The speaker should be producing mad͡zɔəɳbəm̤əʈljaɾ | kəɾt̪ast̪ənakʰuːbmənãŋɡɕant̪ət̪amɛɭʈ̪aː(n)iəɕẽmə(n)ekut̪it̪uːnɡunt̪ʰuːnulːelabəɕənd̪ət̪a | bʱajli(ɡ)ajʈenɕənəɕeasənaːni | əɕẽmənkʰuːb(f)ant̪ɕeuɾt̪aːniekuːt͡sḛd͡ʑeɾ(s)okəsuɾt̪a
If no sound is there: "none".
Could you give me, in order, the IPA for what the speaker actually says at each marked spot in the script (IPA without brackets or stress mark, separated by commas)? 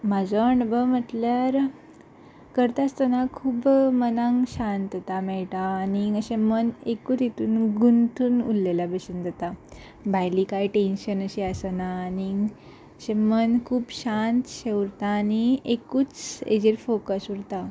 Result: n, n, k, ɕ, f